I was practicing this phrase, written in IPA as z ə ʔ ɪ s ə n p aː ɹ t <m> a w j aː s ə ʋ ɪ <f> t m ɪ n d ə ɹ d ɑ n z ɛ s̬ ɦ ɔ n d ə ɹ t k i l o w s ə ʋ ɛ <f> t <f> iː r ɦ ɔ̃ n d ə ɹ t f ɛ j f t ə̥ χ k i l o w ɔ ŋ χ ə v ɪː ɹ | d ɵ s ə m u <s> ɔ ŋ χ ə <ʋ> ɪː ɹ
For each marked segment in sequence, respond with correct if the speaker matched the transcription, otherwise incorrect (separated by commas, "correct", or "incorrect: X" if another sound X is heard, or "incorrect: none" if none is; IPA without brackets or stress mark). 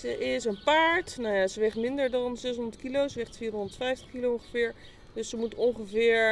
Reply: incorrect: n, incorrect: χ, incorrect: χ, correct, incorrect: t, incorrect: v